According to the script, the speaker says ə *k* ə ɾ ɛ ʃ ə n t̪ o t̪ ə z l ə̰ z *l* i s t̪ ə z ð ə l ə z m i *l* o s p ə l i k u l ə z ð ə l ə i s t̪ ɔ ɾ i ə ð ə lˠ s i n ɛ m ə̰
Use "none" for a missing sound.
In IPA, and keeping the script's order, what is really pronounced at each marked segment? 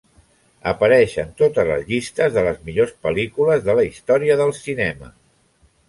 p, ʎ, ʎ

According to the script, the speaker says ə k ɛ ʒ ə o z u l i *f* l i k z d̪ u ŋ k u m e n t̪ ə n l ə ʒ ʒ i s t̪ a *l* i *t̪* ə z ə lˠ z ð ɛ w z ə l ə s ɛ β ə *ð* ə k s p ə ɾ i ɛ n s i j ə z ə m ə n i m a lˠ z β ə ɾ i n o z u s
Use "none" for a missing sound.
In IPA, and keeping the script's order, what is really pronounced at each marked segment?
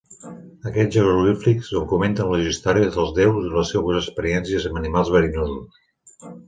f, ɾ, none, z

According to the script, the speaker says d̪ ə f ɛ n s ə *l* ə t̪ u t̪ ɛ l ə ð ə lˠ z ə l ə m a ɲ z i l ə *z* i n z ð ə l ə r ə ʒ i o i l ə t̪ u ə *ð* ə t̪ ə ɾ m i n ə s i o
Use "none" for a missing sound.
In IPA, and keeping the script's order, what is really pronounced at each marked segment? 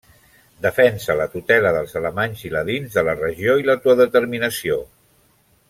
l, ð, ð

